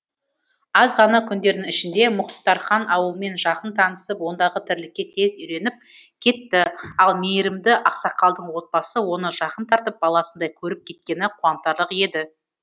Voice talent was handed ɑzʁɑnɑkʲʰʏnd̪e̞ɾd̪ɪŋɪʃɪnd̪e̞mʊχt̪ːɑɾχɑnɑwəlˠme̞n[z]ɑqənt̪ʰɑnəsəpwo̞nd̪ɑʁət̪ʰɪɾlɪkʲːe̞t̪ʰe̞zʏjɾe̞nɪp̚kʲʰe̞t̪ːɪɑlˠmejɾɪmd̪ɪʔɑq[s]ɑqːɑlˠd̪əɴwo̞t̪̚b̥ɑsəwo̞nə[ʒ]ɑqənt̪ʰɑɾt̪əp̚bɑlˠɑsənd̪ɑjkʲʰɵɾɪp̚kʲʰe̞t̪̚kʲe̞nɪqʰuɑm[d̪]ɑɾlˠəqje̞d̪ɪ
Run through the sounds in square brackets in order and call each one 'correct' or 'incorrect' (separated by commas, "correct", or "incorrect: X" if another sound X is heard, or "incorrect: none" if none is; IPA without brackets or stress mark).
incorrect: ʒ, correct, correct, incorrect: t̪